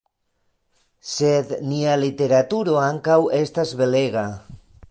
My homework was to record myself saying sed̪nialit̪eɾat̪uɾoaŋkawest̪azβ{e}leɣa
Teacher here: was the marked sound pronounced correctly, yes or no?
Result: yes